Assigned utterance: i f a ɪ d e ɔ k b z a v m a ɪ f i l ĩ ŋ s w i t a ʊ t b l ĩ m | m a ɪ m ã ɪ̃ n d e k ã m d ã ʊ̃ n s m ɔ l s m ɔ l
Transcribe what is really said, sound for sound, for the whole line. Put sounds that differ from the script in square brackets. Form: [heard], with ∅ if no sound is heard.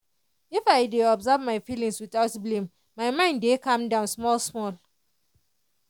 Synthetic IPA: i f a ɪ d e ɔ [∅] b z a v m a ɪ f i l ĩ ŋ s w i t a ʊ t b l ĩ m | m a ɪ m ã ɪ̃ n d e k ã m d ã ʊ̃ n s m ɔ l s m ɔ l